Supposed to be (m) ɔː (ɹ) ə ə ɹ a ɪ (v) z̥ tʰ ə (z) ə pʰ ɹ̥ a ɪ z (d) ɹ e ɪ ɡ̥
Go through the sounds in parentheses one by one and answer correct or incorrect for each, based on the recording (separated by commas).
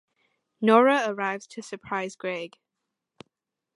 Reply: incorrect, correct, correct, incorrect, incorrect